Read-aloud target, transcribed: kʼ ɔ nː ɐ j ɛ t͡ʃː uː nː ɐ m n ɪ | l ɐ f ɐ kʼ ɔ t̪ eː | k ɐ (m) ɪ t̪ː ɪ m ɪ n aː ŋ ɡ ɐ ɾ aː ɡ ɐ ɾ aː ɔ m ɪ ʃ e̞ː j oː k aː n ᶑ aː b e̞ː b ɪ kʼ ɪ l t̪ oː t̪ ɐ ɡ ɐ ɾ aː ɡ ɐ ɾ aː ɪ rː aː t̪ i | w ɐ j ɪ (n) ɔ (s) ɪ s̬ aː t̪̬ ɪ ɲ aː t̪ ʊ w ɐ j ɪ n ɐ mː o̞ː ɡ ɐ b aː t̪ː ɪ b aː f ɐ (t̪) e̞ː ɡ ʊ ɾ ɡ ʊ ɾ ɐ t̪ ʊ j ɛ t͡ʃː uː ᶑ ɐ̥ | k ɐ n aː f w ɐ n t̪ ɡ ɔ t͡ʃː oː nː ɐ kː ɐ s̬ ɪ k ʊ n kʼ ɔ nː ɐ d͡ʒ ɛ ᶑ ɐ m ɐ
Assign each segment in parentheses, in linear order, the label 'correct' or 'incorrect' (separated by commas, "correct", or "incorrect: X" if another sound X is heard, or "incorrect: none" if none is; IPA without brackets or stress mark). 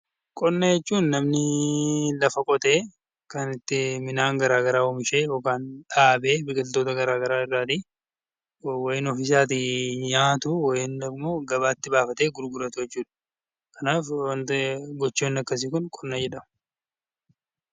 incorrect: n, correct, incorrect: f, correct